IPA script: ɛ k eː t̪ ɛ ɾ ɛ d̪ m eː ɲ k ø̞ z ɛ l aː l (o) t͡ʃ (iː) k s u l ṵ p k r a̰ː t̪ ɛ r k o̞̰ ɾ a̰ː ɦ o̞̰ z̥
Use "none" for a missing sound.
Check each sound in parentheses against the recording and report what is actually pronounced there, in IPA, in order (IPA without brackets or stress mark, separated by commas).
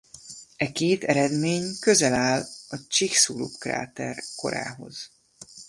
ɒ, i